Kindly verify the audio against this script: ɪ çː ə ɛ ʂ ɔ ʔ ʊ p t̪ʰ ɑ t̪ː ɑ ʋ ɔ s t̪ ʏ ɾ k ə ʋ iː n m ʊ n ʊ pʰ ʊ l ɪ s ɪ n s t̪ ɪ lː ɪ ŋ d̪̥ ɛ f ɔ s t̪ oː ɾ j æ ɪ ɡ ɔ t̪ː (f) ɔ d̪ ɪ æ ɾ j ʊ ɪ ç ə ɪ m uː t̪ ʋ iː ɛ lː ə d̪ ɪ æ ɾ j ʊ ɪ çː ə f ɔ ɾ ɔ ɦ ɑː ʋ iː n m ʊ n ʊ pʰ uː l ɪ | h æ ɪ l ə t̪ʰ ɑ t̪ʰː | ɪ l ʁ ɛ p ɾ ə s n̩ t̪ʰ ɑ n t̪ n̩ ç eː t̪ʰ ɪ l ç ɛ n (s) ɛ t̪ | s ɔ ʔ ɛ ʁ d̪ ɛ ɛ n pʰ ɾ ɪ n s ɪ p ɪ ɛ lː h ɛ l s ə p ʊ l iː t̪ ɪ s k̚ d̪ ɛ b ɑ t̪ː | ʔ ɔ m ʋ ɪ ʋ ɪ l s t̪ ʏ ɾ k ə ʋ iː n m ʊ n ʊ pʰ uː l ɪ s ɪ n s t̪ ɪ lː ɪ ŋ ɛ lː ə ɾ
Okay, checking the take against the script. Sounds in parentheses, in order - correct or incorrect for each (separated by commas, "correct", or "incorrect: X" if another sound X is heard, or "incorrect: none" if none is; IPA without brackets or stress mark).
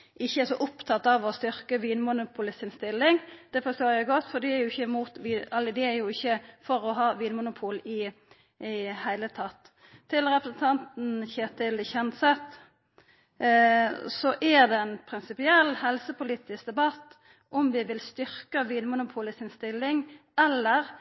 correct, correct